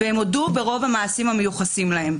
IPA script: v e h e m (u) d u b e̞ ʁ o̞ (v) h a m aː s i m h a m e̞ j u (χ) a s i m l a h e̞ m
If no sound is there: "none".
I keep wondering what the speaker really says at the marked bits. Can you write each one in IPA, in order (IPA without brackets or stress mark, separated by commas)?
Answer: o, v, χ